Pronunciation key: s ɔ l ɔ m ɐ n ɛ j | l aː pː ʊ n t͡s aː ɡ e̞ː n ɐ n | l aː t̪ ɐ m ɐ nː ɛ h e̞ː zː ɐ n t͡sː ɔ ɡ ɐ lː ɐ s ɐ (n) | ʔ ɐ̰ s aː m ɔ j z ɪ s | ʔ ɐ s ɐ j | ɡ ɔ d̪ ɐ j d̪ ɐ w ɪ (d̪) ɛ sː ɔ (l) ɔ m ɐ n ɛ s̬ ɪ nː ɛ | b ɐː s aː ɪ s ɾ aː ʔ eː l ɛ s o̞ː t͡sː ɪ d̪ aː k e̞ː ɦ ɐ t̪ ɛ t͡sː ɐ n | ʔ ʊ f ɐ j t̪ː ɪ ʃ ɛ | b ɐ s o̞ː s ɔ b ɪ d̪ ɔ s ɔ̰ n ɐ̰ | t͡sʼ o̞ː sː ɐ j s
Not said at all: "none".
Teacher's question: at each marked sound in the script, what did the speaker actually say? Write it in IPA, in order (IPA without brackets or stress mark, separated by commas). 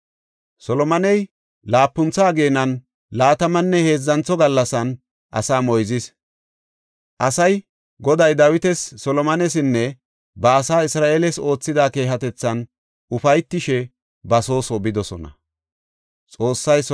n, t̪, l